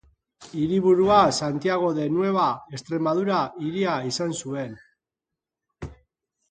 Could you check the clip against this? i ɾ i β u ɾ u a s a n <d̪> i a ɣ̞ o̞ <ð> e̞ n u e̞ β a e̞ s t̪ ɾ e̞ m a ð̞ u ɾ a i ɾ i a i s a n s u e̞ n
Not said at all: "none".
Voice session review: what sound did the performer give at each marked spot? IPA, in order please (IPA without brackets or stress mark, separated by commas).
t̪, ð